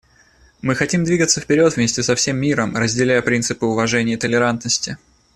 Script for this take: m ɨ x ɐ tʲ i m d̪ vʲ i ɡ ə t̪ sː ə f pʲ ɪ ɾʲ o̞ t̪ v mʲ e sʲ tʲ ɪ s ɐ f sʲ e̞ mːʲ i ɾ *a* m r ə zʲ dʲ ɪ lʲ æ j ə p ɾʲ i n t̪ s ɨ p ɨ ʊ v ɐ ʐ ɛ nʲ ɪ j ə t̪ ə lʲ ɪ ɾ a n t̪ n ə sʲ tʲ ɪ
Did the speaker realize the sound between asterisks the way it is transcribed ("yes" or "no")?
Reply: no